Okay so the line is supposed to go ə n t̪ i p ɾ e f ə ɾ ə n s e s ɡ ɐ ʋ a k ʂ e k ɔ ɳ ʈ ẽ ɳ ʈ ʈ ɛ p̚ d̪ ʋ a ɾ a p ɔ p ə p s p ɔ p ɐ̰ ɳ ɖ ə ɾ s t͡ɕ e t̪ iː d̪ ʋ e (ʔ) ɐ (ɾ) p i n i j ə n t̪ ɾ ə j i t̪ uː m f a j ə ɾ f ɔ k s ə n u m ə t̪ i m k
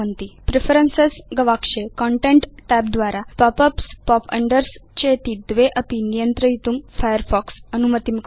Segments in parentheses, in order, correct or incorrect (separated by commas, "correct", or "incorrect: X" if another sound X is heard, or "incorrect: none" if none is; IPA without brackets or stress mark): correct, incorrect: none